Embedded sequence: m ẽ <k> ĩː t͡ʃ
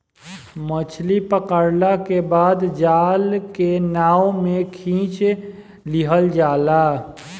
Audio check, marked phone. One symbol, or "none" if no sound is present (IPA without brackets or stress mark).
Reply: kʰ